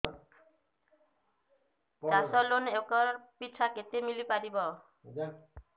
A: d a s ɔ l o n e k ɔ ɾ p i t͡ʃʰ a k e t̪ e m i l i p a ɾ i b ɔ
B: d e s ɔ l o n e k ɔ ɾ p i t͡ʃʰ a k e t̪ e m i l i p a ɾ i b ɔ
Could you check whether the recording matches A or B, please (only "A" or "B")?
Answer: A